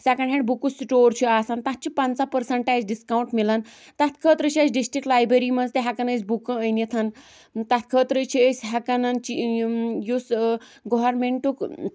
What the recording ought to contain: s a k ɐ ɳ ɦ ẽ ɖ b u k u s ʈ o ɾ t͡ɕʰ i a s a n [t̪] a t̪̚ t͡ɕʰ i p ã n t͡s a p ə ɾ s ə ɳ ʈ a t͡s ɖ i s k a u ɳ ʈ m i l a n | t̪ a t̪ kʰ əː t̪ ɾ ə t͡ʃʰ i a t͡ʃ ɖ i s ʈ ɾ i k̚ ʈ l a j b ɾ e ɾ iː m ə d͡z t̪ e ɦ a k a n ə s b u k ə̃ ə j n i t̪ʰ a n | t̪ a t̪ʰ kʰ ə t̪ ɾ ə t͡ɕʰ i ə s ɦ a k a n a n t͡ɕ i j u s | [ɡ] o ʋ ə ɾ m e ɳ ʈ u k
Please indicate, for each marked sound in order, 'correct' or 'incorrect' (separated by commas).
correct, correct